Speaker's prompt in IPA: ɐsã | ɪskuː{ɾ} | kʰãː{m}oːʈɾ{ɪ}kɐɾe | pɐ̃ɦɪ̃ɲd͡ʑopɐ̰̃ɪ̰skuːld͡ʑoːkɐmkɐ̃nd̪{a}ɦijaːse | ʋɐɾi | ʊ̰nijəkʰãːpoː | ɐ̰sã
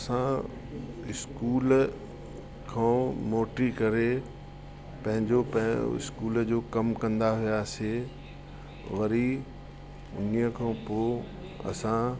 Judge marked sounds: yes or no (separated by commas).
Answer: no, yes, no, yes